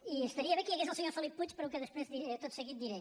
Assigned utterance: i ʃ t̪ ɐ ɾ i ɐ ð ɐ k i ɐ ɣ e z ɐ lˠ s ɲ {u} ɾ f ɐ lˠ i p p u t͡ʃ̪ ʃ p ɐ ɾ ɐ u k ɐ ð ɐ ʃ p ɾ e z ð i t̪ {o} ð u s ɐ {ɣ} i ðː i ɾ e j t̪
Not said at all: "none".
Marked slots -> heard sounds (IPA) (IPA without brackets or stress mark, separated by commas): o, o, ɣ